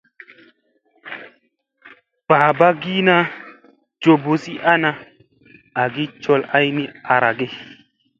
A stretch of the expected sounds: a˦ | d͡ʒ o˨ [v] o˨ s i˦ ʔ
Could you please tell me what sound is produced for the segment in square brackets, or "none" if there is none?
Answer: b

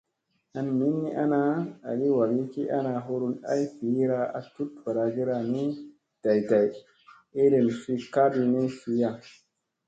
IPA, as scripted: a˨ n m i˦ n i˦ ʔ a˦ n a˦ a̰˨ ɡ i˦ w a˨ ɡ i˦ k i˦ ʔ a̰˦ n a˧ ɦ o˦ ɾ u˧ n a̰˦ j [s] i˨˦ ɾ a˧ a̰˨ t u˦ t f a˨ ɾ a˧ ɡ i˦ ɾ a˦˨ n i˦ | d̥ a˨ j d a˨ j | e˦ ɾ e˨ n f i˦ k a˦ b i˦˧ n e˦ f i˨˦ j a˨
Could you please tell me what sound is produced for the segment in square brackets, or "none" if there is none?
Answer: f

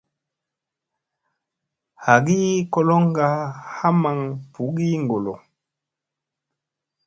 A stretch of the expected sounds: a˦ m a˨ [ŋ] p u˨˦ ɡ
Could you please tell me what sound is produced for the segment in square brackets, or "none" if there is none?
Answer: ŋ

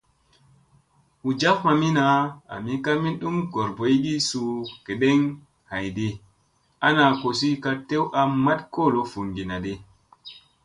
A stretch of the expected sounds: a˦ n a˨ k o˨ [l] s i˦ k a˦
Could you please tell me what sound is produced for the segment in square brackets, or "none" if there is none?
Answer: none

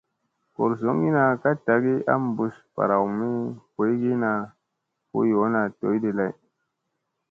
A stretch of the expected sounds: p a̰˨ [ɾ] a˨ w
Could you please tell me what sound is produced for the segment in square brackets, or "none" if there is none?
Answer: ɾ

